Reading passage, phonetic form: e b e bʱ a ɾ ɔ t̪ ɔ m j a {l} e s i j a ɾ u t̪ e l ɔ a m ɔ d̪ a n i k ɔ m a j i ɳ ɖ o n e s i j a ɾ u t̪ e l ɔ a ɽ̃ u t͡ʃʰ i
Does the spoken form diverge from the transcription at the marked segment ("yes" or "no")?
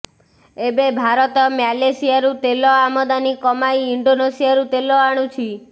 no